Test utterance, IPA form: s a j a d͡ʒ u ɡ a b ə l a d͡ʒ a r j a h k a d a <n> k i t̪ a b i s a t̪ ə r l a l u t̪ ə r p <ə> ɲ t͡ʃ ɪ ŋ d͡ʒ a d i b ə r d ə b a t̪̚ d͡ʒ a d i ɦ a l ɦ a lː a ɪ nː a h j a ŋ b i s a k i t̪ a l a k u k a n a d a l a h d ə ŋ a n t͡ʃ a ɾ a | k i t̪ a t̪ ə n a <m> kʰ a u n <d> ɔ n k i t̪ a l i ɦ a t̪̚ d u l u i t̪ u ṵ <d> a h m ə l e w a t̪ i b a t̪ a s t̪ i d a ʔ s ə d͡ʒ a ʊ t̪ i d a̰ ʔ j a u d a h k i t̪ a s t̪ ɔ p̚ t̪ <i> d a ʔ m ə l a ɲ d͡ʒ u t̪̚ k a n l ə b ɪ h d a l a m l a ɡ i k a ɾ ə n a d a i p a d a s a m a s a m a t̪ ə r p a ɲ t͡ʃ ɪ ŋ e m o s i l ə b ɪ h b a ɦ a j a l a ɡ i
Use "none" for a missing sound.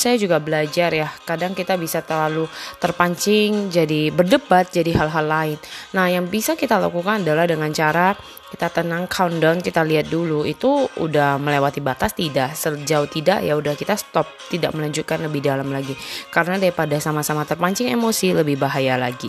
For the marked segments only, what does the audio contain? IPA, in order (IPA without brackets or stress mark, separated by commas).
ŋ, a, ŋ, d, d, i